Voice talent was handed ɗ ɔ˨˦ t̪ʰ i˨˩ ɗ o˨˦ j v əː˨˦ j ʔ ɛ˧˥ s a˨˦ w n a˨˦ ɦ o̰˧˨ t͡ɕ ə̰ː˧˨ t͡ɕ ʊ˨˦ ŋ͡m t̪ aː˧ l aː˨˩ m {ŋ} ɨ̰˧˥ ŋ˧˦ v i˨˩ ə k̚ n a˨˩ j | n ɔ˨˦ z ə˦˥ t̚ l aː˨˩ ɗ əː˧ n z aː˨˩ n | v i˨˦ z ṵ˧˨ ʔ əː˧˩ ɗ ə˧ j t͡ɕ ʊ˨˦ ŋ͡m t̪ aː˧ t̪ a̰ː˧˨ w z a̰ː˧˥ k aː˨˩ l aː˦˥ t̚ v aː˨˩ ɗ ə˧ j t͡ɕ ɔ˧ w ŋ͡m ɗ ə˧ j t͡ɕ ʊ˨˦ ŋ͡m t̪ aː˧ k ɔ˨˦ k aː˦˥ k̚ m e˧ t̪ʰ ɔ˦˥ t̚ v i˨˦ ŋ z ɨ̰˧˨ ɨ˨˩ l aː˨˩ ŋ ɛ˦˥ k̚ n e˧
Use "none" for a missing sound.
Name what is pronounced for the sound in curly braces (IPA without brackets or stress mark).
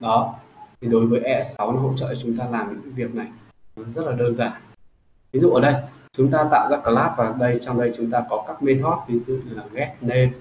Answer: ɲ